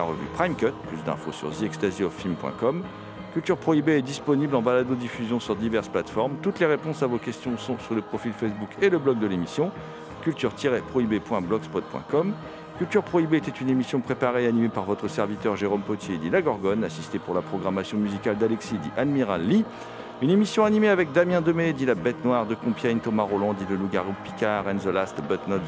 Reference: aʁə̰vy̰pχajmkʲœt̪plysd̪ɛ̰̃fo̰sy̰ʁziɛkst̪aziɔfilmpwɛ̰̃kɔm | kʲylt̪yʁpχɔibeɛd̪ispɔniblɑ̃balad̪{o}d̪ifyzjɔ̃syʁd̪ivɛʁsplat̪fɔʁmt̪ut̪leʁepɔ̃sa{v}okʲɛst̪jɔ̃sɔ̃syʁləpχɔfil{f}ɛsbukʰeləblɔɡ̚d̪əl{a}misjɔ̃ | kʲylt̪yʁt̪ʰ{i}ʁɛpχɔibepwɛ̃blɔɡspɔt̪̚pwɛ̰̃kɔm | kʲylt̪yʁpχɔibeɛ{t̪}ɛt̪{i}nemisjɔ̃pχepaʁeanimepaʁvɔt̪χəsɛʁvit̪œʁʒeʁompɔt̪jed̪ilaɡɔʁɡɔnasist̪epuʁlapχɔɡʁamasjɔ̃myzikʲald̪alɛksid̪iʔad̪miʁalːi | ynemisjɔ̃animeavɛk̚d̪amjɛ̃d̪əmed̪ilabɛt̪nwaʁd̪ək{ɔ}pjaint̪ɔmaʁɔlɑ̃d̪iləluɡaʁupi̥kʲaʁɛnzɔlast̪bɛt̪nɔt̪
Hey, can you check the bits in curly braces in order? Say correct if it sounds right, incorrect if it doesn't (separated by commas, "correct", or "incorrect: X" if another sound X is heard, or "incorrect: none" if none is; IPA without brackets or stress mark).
correct, correct, correct, incorrect: e, correct, correct, incorrect: y, incorrect: ɔ̃